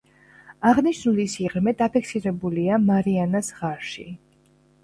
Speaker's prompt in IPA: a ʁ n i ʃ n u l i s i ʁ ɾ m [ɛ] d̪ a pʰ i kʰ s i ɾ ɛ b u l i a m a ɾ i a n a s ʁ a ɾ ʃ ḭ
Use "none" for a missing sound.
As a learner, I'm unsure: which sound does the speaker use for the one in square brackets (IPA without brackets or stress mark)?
ɛ